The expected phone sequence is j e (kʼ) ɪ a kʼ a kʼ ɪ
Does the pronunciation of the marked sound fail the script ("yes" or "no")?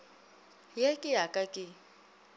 no